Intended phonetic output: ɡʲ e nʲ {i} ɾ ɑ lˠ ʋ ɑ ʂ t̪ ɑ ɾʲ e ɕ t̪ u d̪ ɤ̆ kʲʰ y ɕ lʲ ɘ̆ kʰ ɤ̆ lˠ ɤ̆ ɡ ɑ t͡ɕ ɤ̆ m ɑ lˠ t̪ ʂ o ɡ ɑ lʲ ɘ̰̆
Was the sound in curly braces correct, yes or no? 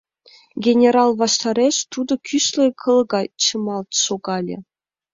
no